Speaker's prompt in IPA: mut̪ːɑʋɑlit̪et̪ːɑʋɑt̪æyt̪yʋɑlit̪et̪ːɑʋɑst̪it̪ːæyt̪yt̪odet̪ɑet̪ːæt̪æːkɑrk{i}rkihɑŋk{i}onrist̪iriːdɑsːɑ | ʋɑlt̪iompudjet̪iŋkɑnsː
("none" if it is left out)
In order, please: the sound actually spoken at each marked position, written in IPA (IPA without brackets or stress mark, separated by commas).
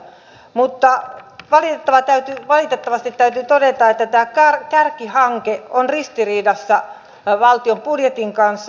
æ, e